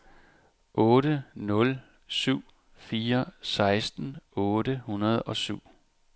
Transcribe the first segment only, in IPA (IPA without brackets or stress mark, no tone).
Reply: ʔ